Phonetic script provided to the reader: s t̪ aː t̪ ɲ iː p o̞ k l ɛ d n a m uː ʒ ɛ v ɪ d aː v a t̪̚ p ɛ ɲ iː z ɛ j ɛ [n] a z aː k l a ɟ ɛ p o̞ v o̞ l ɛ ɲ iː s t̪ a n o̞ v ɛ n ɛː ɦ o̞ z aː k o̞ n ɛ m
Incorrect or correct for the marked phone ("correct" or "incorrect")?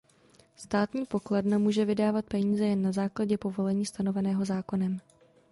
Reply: incorrect